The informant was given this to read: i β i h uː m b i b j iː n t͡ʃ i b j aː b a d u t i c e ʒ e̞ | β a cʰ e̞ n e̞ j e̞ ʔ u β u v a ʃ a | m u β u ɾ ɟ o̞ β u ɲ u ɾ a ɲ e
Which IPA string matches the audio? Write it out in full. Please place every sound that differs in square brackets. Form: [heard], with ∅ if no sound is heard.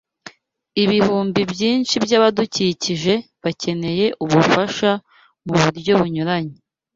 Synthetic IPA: i β i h uː m b i b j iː n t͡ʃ i b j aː [β] a d u [c] i c [i] ʒ e̞ | β a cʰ e̞ n e̞ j e̞ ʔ u β u [f] a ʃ a | m u β u ɾ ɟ o̞ β u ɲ u ɾ a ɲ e

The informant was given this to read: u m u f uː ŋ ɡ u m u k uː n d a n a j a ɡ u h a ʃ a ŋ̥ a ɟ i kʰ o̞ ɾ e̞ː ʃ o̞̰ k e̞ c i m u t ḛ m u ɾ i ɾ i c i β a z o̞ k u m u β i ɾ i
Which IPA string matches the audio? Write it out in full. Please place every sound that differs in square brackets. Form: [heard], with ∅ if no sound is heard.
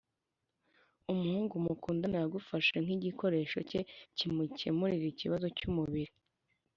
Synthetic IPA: u m u [h] uː ŋ ɡ u m u k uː n d a n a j a ɡ u [f] a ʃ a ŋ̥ [i] ɟ i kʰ o̞ ɾ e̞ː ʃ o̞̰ [c] e̞ c i m u [c] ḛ m u ɾ i ɾ i c i β a z o̞ [c] u m u β i ɾ i

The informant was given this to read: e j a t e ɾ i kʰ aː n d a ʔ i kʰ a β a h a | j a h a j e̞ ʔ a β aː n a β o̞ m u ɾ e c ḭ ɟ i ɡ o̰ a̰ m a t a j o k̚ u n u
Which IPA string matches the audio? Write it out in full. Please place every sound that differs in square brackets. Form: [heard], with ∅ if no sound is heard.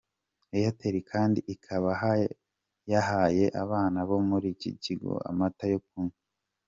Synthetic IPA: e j a t e ɾ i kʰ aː n d [i] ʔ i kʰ a β a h a | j a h a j e̞ ʔ a β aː n a β o̞ m u ɾ [i] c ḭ [c] i ɡ o̰ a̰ m a t a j o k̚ u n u

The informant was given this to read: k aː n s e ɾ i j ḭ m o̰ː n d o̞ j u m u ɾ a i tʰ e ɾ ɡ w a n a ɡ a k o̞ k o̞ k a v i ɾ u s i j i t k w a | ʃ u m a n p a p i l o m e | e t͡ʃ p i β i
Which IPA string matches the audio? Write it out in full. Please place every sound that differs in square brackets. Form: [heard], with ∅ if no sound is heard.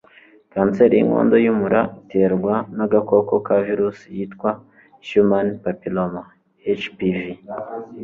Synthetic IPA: k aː n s e ɾ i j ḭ [ŋ] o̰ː n d o̞ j u m u ɾ a i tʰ e ɾ ɡ w a n a ɡ a k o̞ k o̞ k a v i ɾ u s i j i t k w a | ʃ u m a n p a p i l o m [a] | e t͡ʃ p i [v] i

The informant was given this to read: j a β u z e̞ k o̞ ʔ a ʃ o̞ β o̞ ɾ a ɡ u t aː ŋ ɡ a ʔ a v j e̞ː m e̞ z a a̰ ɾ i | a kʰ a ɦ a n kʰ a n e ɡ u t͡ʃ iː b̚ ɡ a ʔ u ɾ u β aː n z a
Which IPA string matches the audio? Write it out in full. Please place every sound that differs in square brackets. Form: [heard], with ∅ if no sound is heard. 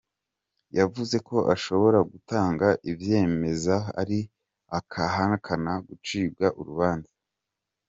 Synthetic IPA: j a [v] u z e̞ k o̞ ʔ a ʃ o̞ β o̞ ɾ a ɡ u t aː ŋ ɡ a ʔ [i] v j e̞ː m e̞ z a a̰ ɾ i | a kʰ a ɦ a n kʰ a n [a] ɡ u t͡ʃ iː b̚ ɡ a ʔ u ɾ u β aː n z a

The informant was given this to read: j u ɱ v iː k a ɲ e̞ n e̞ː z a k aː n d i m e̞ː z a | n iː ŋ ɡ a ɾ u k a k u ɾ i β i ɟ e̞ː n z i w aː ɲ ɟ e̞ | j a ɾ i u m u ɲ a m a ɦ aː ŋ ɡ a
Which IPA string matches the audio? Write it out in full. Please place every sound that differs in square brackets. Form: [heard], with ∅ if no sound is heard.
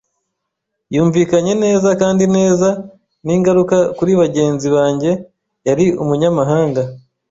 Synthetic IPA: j [uː] ɱ v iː k a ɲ e̞ n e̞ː z a k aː n d i [n] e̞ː z a | n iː ŋ ɡ a ɾ u k a k u ɾ i β [a] ɟ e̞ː n z i [β] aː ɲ ɟ e̞ | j a ɾ i u m u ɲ a m a ɦ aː ŋ ɡ a

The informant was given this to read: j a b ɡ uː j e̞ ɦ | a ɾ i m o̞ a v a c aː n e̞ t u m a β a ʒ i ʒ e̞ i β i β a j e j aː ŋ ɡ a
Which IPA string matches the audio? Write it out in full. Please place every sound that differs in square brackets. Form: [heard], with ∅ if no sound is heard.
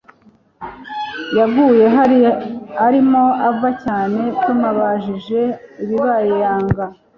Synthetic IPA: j a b ɡ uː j e̞ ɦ | a ɾ i m o̞ a v a c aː n e̞ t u m a β a ʒ i ʒ e̞ i β i β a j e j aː ŋ ɡ a

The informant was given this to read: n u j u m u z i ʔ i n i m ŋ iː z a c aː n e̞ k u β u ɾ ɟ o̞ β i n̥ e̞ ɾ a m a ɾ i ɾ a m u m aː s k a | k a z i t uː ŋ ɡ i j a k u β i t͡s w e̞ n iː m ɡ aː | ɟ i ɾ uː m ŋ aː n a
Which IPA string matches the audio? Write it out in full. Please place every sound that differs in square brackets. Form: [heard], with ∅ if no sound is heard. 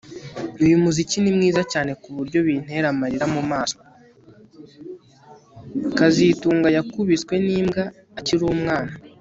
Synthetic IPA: n u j u m u z i [c] i n i m ŋ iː z a c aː n e̞ k u β u ɾ ɟ o̞ β i n̥ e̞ ɾ a m a ɾ i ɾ a m u m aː s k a | k a z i t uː ŋ ɡ [a] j a k u β i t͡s w e̞ n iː m ɡ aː | [c] i ɾ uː m ŋ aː n a

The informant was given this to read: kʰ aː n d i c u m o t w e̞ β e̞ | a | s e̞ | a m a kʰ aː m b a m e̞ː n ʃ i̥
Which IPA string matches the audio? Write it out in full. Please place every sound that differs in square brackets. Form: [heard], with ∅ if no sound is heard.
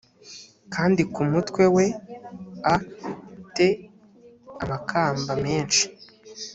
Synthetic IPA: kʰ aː n d i [k] u m [u] t w e̞ [w] e̞ | a | [t] e̞ | a m a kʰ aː m b a m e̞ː n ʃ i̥

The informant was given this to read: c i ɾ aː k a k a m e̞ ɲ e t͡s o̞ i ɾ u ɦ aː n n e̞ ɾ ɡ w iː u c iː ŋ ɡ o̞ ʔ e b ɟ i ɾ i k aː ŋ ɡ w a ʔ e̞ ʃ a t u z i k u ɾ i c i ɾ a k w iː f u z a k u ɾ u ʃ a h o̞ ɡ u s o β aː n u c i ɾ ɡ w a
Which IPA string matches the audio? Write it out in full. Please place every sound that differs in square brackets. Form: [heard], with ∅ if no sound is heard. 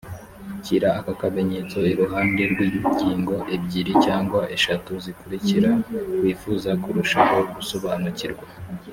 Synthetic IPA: c i ɾ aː k a k a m e̞ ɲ e t͡s o̞ i ɾ u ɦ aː n [d] e̞ ɾ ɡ w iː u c iː ŋ ɡ o̞ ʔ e b ɟ i ɾ i [c] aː ŋ ɡ w a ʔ e̞ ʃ a t u z i k u ɾ i c i ɾ a k w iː f u z a k u ɾ u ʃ a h o̞ ɡ u s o β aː n u c i ɾ ɡ w a

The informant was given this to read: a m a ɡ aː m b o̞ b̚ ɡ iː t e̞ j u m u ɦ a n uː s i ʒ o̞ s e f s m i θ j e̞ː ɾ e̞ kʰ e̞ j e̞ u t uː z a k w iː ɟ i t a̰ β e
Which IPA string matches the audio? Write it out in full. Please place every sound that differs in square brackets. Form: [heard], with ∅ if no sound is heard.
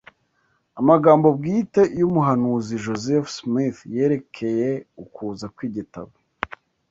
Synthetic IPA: a m a ɡ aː m b o̞ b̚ ɡ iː t e̞ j u m u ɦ a n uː [z] i ʒ o̞ [z] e f s m i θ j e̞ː ɾ e̞ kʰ e̞ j e̞ u [k] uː z a k w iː ɟ i t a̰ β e

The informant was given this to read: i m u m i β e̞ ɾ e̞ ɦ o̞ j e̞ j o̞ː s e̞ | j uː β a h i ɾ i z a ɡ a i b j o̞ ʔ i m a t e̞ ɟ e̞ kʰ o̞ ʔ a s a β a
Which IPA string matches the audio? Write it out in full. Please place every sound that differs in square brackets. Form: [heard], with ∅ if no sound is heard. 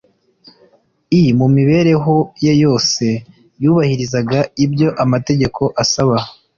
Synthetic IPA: i m u m i β e̞ ɾ e̞ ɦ o̞ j e̞ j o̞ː s e̞ | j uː β a h i ɾ i z a ɡ a i b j o̞ ʔ [a] m a t e̞ ɟ e̞ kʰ o̞ ʔ a s a β a

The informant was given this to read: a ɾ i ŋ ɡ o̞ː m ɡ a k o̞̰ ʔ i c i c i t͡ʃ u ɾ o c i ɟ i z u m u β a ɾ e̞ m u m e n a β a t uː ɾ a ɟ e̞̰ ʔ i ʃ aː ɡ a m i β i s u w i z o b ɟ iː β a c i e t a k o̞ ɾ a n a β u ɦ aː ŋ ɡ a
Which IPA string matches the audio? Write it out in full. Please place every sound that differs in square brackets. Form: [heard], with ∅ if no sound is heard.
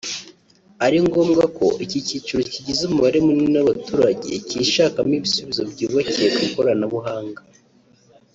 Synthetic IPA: a ɾ i ŋ ɡ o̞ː m ɡ a k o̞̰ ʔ i c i c i t͡ʃ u ɾ o c i ɟ i z u m u β a ɾ e̞ m u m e n a β a t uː ɾ a ɟ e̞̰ [c] i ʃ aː [k] a m i β i s u [β] i z o b ɟ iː β a c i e [k] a k o̞ ɾ a n a β u ɦ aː ŋ ɡ a

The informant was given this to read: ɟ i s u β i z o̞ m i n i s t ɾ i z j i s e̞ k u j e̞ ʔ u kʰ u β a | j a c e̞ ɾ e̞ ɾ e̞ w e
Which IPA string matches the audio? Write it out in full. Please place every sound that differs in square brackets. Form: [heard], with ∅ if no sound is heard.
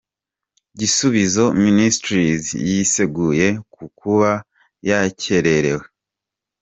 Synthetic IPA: ɟ i s u β i z o̞ m i n i s t ɾ i z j i s e̞ [ɡ] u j e̞ [k] u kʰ u β a | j a c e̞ ɾ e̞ ɾ e̞ w e

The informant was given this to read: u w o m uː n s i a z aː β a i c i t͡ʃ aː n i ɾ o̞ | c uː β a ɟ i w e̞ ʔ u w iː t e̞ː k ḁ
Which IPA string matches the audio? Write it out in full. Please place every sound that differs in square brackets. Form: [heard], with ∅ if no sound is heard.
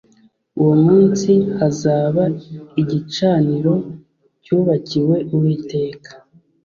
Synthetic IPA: u w o m uː n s i a z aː β a i [ɟ] i t͡ʃ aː n i ɾ o̞ | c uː β a [c] i w e̞ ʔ u w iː t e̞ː k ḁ

